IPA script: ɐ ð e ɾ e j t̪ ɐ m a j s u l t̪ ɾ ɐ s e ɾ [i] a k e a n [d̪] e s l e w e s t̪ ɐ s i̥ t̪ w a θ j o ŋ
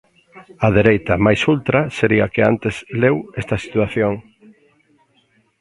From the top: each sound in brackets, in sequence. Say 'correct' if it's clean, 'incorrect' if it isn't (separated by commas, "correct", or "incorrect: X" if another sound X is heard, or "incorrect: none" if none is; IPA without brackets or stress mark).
correct, incorrect: t̪